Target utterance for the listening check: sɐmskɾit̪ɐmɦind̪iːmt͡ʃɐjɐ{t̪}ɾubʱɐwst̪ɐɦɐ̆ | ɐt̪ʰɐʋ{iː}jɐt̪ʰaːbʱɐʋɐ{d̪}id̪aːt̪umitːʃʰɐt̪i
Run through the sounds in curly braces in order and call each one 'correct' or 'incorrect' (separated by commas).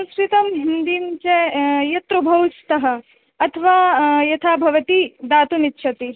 correct, incorrect, incorrect